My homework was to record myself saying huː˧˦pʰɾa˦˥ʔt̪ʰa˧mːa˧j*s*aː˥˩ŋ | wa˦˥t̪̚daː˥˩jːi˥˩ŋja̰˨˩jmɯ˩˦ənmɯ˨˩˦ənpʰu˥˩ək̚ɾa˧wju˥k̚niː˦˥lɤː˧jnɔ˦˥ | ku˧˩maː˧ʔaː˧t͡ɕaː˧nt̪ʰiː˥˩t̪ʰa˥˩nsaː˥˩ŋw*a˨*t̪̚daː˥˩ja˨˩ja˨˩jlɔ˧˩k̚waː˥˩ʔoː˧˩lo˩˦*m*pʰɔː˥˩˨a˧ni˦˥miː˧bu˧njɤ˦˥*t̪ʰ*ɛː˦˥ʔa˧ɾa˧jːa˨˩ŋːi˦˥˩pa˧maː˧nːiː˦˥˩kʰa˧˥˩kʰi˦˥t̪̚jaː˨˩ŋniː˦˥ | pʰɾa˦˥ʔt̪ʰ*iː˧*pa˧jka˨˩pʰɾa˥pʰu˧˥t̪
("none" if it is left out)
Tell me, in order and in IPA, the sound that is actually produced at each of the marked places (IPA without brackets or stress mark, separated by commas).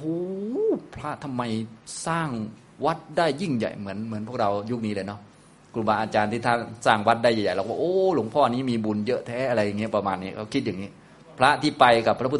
s, a˦˥, ŋ, t̪ʰ, iː˥˩